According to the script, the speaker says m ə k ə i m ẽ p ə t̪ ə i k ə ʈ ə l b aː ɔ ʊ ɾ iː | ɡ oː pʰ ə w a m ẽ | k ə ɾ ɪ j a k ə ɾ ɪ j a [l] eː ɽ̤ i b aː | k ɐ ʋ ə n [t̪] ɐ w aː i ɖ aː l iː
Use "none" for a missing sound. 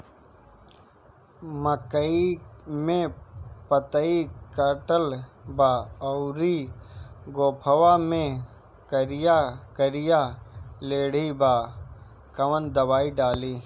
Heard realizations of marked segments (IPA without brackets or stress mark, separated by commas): l, d̪